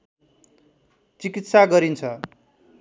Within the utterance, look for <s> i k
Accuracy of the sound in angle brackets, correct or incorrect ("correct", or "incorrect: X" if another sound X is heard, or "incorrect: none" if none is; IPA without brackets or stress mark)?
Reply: incorrect: t͡s